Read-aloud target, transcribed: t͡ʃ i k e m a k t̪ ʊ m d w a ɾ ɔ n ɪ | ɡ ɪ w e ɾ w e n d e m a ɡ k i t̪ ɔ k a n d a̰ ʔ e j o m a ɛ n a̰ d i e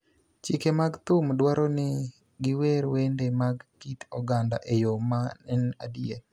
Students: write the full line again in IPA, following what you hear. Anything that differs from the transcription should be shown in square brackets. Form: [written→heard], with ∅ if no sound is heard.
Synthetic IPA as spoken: t͡ʃ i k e m a [k→ɡ] t̪ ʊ m d w a ɾ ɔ n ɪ | ɡ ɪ w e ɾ w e n d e m a ɡ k i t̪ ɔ [k→ɡ] a n d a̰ ʔ e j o m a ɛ n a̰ d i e